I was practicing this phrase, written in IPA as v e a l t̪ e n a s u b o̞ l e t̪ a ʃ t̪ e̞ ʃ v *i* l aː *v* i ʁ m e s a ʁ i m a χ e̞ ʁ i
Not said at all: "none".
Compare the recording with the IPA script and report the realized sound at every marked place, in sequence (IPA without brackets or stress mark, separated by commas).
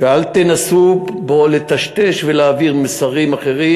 e, v